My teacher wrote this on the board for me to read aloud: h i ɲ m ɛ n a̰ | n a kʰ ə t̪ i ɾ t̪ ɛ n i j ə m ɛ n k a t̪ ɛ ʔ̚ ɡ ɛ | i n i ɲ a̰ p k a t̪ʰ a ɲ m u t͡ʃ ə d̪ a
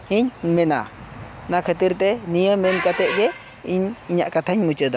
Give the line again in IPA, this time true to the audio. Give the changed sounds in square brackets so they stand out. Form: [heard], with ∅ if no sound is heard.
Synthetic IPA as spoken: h i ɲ m ɛ n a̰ | n a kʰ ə t̪ i ɾ t̪ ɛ n i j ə m ɛ n k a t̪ ɛ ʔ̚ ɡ ɛ | i [ɲ] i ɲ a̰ [ʔ] k a t̪ʰ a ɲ m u t͡ʃ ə d̪ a